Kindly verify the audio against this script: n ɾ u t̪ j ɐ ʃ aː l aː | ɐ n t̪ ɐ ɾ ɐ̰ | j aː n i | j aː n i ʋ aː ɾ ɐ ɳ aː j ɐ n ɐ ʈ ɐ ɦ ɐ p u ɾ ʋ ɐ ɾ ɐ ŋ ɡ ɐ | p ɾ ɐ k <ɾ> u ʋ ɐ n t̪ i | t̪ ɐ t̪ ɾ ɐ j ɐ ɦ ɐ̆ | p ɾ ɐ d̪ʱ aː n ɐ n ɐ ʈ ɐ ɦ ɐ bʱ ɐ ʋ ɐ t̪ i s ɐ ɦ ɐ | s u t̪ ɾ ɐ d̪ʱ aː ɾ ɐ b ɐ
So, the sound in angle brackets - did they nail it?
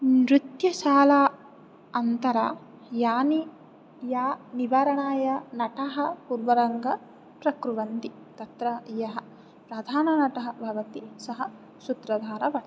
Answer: yes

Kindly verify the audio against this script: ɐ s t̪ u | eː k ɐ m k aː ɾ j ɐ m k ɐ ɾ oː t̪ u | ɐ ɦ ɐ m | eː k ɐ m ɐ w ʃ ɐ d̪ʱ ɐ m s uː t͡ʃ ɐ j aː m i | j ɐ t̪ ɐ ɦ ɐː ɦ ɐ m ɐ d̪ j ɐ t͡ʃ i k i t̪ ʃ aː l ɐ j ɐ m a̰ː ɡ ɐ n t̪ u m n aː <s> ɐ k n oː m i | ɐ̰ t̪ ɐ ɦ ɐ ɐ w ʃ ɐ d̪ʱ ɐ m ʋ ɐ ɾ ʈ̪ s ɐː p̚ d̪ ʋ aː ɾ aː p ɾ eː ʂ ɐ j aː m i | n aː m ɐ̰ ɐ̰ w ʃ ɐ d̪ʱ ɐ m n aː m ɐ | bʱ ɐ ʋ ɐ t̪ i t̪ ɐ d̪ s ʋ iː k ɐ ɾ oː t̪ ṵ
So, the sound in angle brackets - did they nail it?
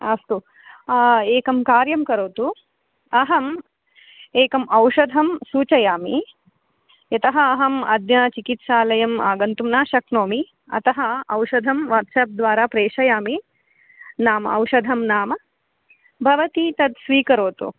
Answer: no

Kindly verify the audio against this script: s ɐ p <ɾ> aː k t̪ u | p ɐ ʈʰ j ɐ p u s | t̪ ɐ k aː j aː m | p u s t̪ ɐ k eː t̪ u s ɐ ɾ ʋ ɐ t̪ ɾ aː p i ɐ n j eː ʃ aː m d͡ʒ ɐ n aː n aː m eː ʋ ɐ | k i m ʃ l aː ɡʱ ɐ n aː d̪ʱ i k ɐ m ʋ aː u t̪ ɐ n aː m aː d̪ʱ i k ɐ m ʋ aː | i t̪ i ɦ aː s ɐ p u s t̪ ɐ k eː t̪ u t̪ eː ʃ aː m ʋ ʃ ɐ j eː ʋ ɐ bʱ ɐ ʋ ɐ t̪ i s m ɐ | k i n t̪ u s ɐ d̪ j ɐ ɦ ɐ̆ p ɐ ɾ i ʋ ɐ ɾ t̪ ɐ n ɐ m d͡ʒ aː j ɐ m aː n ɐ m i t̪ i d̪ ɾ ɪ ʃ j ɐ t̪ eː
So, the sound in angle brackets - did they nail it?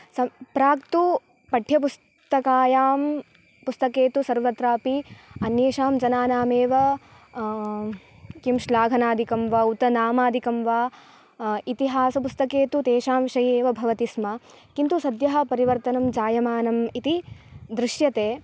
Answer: yes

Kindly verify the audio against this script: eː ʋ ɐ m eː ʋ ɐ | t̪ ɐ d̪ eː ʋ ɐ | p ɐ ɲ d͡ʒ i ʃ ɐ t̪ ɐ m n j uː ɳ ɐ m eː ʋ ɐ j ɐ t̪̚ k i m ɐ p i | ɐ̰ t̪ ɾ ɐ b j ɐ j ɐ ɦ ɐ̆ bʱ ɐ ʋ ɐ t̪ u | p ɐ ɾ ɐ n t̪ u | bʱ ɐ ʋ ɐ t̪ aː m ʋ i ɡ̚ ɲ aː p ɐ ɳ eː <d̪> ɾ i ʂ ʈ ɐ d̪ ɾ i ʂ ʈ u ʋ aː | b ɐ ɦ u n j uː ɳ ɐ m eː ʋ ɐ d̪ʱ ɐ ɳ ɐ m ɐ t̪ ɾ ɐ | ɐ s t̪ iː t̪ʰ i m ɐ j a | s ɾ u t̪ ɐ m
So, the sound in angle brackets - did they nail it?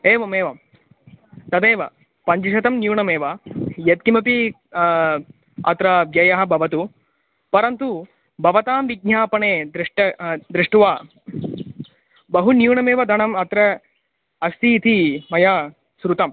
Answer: yes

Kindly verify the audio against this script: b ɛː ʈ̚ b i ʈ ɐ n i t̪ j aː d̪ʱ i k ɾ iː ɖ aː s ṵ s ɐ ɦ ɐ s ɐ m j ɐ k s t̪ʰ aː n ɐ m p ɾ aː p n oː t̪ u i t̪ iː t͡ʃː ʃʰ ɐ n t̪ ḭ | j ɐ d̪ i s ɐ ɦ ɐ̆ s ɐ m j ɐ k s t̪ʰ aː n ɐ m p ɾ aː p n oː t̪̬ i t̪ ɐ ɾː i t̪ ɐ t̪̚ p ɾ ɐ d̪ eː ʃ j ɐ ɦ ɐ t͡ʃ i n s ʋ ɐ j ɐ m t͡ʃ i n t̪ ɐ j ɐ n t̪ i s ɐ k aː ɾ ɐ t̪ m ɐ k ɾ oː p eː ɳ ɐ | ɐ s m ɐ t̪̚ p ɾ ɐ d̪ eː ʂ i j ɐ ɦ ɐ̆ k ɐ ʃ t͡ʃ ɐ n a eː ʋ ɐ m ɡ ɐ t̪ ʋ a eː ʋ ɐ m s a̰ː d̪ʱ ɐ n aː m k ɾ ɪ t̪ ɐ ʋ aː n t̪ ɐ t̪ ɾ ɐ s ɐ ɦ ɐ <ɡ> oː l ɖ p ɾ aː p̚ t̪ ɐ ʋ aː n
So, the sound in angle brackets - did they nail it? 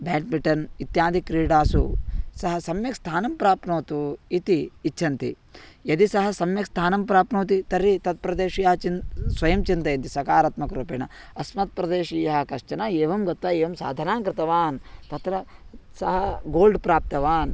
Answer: yes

